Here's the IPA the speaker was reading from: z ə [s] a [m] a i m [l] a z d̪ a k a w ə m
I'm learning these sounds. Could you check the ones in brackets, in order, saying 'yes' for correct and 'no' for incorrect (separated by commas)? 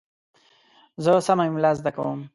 yes, yes, yes